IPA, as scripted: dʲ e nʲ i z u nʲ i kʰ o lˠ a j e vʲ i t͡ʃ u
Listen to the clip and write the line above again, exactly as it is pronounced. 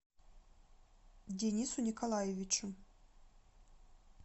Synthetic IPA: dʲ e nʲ i s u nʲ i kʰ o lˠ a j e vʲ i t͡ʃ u